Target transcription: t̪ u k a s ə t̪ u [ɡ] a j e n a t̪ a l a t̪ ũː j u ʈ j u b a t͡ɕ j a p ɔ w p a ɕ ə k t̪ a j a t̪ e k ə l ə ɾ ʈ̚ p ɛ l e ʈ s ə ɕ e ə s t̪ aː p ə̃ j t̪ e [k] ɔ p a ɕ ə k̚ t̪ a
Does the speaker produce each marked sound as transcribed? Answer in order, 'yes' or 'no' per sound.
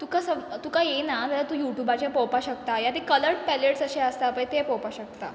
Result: no, no

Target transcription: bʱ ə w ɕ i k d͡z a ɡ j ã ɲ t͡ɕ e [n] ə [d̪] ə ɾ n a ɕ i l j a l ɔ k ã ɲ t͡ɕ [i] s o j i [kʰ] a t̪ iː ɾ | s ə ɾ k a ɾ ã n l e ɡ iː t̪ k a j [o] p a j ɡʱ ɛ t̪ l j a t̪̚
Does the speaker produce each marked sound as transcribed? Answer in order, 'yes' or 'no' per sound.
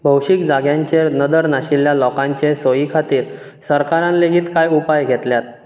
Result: yes, yes, no, yes, no

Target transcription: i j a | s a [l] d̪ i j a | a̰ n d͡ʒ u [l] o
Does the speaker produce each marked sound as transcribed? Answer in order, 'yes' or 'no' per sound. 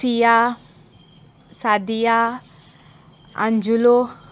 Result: no, yes

